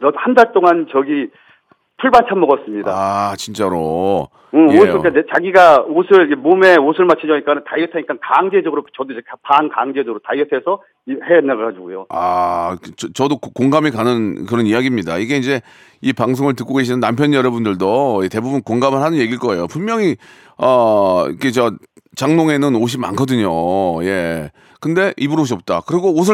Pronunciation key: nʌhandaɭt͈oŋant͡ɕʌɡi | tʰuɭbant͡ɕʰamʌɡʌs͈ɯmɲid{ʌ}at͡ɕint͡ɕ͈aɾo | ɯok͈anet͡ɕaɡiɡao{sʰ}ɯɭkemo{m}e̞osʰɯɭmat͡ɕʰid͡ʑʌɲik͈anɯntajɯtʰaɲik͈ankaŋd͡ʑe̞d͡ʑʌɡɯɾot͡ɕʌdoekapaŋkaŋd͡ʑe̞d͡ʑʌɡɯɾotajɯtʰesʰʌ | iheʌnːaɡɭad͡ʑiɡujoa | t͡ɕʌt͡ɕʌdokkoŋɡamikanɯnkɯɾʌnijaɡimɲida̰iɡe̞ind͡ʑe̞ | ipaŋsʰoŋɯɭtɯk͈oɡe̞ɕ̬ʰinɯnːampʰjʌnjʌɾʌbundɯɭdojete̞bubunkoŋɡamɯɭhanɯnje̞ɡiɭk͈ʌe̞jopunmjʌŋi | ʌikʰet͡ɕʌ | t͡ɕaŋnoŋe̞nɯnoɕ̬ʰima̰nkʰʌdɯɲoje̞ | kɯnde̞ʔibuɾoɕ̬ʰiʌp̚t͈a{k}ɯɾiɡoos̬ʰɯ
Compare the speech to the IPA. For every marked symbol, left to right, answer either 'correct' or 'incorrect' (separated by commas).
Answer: incorrect, correct, correct, correct